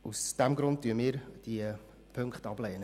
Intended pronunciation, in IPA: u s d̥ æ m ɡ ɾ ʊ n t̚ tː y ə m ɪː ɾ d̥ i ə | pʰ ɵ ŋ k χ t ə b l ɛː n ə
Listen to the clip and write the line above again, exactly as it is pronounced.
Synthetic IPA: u s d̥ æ m ɡ ɾ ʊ n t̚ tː y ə m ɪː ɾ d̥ i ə | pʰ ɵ ŋ k χ t ɑ b l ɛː n ə

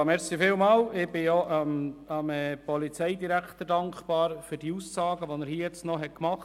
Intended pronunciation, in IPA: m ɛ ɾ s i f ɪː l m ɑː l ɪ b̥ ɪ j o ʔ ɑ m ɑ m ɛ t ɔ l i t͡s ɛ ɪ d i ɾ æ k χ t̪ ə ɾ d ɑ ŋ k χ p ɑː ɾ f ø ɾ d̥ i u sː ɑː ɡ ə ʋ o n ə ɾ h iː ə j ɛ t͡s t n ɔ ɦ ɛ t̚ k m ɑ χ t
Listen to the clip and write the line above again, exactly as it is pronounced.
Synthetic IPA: m ɛ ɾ s i f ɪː l m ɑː l ɪ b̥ ɪ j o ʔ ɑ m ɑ m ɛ p ɔ l i t͡s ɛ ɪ d i ɾ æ k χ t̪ ə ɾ d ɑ ŋ k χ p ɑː ɾ f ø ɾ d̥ i u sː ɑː ɡ ə ʋ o n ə ɾ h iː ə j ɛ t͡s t n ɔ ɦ ɛ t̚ k m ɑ χ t

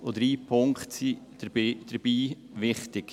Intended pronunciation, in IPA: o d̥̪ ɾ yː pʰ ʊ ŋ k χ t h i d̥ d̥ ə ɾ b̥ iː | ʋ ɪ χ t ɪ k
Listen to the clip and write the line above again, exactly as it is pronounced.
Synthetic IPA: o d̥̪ ɾ iː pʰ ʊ ŋ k χ t s i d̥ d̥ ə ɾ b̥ iː | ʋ ɪ χ t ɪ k

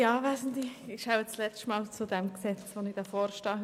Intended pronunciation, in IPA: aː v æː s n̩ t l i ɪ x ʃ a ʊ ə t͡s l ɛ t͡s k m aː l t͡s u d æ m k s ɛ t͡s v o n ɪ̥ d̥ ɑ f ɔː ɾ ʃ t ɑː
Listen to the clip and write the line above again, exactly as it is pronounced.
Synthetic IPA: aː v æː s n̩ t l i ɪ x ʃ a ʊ ə t͡s l ɛ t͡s t m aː l t͡s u d ɛ m k s ɛ t͡s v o n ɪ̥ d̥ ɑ f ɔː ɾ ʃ t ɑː

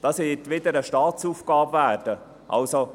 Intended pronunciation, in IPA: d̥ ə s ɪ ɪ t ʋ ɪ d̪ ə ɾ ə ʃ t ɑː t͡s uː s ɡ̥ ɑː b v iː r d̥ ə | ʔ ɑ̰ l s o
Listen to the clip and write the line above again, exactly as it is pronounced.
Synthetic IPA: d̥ ɑ s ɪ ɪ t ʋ ɪ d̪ ə ɾ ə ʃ t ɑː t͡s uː f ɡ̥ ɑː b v æː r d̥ ə | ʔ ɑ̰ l s o

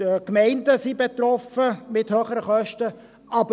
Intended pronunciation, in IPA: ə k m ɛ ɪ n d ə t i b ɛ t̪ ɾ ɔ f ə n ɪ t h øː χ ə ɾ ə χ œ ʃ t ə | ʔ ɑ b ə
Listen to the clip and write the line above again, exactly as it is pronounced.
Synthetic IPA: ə k m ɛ ɪ n d ə s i b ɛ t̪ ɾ ɔ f ə m ɪ t h øː χ ə ɾ ə χ œ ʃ t ə | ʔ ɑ b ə

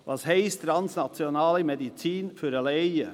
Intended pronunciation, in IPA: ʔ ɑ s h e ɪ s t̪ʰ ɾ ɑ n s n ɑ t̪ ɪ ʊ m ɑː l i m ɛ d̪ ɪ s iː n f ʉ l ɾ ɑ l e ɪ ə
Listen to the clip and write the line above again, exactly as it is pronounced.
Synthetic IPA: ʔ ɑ s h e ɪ s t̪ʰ ɾ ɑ n s n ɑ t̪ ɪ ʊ n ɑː l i m ɛ d̪ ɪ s iː n f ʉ ɾ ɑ l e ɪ ə

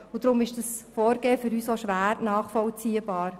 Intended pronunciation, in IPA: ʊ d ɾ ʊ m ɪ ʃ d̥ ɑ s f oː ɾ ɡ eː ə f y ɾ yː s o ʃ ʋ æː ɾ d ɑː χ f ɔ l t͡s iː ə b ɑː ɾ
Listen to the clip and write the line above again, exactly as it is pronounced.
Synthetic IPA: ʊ d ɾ ʊ m ɪ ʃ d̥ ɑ s f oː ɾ ɡ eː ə f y ɾ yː s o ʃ ʋ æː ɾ n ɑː χ f ɔ l t͡s iː ə b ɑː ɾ

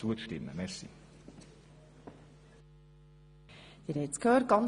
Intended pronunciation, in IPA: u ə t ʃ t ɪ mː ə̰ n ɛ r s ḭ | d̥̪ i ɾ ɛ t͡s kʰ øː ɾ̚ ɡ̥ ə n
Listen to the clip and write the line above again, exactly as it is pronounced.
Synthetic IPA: u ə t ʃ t ɪ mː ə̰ m ɛ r s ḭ | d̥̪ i ɾ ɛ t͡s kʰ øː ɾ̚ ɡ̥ ɑ n

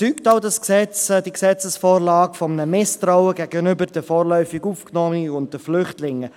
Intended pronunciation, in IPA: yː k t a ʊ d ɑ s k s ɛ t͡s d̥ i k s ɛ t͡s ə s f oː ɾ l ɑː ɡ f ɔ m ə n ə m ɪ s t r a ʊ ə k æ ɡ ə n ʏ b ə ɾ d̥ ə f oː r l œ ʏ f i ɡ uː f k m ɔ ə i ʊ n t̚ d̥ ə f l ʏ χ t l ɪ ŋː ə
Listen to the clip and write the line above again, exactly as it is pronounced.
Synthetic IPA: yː k t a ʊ d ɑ s k s ɛ t͡s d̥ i k s ɛ t͡s ə s f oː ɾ l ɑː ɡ f ɔ m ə n ə m ɪ s t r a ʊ ə ɡ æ ɡ ə n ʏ b ə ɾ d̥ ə f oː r l œ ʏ f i ɡ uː f k n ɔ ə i ʊ n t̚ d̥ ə f l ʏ χ t l ɪ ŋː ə

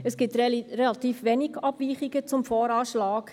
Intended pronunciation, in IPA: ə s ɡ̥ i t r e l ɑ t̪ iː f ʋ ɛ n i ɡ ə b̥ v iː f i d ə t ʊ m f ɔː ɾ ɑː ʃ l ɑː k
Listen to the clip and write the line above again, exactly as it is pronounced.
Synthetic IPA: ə s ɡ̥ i t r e l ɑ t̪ iː f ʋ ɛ n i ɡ ɑ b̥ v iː χ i ɡ ə t͡s ʊ m f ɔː ɾ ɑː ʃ l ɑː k

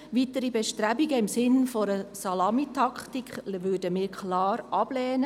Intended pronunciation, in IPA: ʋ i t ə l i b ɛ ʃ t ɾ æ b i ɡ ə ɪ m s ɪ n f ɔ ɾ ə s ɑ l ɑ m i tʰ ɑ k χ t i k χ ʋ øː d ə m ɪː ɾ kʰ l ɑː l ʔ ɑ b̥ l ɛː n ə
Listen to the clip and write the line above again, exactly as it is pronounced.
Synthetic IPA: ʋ i t ə ɾ i b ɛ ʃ t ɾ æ b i ɡ ə ɪ m s ɪ n f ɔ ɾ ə s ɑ l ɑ m i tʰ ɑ k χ t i k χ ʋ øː d ə m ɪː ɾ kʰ l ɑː ɾ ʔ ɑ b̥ l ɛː n ə

